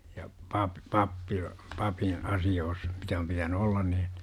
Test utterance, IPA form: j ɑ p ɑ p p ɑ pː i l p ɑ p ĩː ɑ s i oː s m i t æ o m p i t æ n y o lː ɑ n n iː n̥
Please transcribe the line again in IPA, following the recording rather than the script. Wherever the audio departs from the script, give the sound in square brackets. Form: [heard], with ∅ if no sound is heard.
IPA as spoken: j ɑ p ɑ p p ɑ pː i l p ɑ p ĩː ɑ s i oː s m i t æ o m p i t æ n y o lː ɑ n n iː n̥